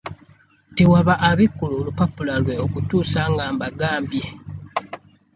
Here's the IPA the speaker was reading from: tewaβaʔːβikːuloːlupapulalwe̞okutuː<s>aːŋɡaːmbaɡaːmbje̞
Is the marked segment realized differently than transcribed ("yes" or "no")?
no